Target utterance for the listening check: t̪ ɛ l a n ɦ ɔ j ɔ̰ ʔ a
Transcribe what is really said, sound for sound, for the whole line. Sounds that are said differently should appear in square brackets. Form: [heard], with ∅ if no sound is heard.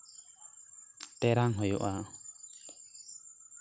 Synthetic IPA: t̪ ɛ [ɾ] a [ŋ] ɦ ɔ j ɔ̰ ʔ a